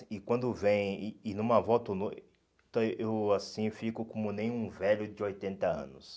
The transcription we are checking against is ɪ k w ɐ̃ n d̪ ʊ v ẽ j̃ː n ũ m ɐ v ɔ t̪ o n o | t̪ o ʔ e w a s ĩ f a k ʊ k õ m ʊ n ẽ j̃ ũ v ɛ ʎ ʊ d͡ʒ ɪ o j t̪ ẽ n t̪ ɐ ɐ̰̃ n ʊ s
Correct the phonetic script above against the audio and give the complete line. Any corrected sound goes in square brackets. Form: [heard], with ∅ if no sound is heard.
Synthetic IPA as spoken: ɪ k w ɐ̃ n d̪ ʊ v ẽ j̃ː n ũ m ɐ v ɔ t̪ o n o | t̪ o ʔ e w a s ĩ f [i] k ʊ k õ m ʊ n ẽ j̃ ũ v ɛ ʎ ʊ d͡ʒ ɪ o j t̪ ẽ n t̪ ɐ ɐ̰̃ n ʊ s